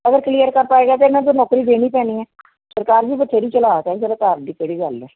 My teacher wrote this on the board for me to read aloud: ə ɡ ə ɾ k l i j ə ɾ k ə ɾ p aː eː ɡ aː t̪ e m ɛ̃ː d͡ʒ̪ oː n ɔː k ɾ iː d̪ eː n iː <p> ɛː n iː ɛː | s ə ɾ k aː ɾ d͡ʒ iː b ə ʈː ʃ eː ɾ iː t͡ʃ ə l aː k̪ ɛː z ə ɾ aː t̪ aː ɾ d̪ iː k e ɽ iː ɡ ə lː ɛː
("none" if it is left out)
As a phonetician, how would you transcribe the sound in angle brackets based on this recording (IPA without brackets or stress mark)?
p